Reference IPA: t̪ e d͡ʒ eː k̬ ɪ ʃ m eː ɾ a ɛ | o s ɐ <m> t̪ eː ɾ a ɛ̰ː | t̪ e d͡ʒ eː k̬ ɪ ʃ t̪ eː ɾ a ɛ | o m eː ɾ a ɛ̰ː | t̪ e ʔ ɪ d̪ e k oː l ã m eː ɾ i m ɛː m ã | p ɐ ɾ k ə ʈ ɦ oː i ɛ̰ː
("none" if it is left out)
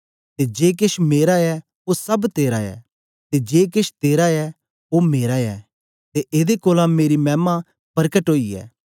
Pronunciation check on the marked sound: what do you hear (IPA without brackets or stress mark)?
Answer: b